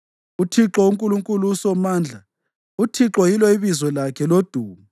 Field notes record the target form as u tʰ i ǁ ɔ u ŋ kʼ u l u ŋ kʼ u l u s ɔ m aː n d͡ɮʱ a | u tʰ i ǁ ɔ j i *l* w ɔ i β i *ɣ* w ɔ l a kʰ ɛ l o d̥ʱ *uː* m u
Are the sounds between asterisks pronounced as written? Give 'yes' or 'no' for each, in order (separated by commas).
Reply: yes, no, yes